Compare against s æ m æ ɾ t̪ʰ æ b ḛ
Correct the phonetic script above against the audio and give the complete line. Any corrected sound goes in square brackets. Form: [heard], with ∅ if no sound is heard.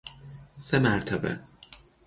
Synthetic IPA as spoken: s [e] m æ ɾ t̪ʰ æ b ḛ

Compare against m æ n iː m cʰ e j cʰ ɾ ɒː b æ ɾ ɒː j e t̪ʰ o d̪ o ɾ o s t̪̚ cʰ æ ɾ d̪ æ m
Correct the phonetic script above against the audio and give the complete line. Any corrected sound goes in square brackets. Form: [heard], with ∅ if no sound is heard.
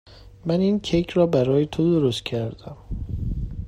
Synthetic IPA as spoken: m æ n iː [n] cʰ e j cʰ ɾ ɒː b æ ɾ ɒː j e t̪ʰ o d̪ o ɾ o s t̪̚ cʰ æ ɾ d̪ æ m

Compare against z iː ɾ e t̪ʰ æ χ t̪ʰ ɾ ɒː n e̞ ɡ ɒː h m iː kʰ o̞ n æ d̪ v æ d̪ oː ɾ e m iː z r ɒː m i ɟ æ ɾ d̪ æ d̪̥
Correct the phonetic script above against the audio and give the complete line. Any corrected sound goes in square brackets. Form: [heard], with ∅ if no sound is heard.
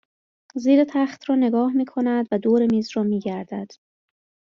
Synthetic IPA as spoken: z iː ɾ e t̪ʰ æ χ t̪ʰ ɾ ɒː n e̞ ɡ ɒː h m iː kʰ o̞ n æ d̪ v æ d̪ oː ɾ e m iː z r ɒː m [iː] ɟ æ ɾ d̪ æ d̪̥

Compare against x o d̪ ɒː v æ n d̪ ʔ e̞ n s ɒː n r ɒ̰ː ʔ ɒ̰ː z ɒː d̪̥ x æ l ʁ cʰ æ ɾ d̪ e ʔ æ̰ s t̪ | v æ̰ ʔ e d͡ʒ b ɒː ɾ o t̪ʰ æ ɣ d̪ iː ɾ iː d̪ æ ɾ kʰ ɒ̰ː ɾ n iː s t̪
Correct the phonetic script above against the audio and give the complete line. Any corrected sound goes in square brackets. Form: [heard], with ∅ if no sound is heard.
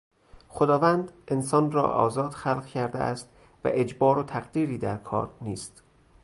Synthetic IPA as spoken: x o d̪ ɒː v æ n d̪ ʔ e̞ n s ɒː n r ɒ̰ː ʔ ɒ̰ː z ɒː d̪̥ x æ l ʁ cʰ æ ɾ d̪ e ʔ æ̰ s t̪ | v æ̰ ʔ e d͡ʒ b ɒː ɾ o t̪ʰ æ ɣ d̪ iː ɾ iː d̪ æ ɾ kʰ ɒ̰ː ɾ n iː s t̪

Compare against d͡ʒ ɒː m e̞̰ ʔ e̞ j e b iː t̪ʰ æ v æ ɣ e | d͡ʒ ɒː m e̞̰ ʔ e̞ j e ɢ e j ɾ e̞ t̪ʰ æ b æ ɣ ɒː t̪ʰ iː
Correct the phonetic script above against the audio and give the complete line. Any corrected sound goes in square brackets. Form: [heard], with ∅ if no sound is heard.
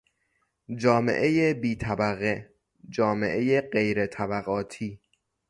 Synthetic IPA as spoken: d͡ʒ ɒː m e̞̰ ʔ e̞ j e b iː t̪ʰ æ [b] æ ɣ e | d͡ʒ ɒː m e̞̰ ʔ e̞ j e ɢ e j ɾ e̞ t̪ʰ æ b æ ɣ ɒː t̪ʰ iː

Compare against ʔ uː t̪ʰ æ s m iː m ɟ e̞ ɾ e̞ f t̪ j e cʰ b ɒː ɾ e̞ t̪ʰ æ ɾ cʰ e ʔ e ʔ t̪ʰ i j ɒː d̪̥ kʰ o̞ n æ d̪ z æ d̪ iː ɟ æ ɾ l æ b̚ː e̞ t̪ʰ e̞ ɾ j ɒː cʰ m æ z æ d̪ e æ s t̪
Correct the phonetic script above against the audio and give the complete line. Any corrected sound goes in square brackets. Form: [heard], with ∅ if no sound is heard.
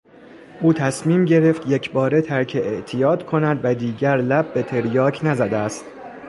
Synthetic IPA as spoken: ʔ uː t̪ʰ æ s m iː m ɟ e̞ ɾ e̞ f t̪ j e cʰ b ɒː ɾ e̞ t̪ʰ æ ɾ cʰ e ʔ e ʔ t̪ʰ i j ɒː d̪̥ kʰ o̞ n æ d̪ [v] æ d̪ iː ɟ æ ɾ l æ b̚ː e̞ t̪ʰ e̞ ɾ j ɒː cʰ [n] æ z æ d̪ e æ s t̪

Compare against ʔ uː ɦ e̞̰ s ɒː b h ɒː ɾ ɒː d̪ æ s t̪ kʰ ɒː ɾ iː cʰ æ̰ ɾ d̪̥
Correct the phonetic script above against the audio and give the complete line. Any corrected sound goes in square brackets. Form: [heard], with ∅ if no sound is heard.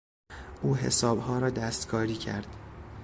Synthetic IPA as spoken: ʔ uː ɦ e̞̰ s ɒː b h ɒː ɾ ɒː d̪ æ s t̪ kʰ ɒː ɾ iː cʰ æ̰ ɾ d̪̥

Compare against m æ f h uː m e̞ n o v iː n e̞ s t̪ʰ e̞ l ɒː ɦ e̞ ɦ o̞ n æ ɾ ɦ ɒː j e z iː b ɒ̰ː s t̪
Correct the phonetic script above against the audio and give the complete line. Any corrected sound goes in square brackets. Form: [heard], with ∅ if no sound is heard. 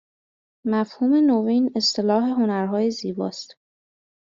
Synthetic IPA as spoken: m æ f h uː m e̞ n o v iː n e̞ s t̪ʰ e̞ l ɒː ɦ e̞ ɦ o̞ n æ ɾ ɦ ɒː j e z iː b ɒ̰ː s t̪

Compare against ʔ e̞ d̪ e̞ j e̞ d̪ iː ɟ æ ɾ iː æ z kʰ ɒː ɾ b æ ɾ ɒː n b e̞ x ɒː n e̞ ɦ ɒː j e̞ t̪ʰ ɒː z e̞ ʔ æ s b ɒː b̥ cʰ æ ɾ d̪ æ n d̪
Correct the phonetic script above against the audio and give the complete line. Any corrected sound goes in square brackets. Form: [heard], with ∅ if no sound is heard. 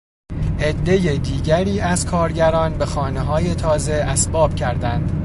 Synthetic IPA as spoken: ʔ e̞ [d̪ː] e̞ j e̞ d̪ iː ɟ æ ɾ iː æ z kʰ ɒː ɾ [ɟ] æ ɾ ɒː n b e̞ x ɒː n e̞ ɦ ɒː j e̞ t̪ʰ ɒː z e̞ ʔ æ s b ɒː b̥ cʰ æ ɾ d̪ æ n d̪

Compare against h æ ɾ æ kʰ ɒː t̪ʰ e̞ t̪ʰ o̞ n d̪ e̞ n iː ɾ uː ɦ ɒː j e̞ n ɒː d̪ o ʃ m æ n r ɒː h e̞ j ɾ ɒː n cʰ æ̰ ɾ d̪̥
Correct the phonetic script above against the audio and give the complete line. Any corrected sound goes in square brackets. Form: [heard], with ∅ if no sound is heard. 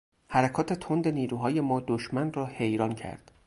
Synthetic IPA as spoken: h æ ɾ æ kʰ ɒː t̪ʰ e̞ t̪ʰ o̞ n d̪ e̞ n iː ɾ uː ɦ ɒː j e̞ [m] ɒː d̪ o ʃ m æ n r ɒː h e̞ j ɾ ɒː n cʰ æ̰ ɾ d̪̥

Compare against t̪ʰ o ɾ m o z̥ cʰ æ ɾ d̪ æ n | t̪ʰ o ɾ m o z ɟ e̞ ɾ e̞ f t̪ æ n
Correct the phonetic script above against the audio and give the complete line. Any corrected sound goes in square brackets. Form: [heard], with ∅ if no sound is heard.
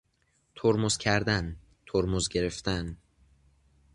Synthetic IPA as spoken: t̪ʰ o ɾ m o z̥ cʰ æ ɾ d̪ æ n | t̪ʰ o ɾ m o z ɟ e̞ ɾ e̞ f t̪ æ n

